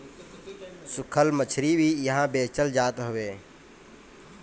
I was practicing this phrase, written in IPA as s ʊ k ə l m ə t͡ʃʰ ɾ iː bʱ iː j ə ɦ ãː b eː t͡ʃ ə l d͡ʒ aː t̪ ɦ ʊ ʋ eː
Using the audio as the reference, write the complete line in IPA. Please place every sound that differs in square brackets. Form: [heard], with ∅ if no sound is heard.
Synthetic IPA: s ʊ [kʰ] ə l m ə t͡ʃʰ ɾ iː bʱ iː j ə ɦ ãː b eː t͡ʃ ə l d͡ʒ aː t̪ ɦ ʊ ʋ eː